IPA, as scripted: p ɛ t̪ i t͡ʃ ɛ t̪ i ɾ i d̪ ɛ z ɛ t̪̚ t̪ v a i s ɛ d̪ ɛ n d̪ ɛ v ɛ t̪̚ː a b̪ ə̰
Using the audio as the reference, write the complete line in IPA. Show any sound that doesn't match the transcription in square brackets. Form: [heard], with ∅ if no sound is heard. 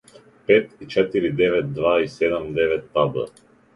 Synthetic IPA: p ɛ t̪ i t͡ʃ ɛ t̪ i ɾ i d̪ ɛ [v] ɛ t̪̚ [d̪] v a i s ɛ d̪ ɛ [m] d̪ ɛ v ɛ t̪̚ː a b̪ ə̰